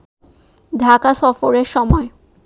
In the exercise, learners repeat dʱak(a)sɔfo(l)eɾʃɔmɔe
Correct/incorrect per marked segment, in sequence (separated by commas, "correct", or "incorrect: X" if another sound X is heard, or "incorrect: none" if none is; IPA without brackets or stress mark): correct, incorrect: ɾ